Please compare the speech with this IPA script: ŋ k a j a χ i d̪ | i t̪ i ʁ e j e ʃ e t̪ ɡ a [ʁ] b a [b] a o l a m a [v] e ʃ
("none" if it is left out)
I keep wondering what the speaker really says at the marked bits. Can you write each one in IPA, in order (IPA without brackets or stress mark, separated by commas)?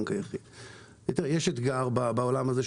ʁ, b, z